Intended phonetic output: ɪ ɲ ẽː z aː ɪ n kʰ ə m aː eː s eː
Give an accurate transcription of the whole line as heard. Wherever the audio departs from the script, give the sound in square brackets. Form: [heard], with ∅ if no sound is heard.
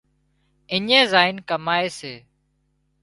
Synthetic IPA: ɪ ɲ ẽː z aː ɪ n [k] ə m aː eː s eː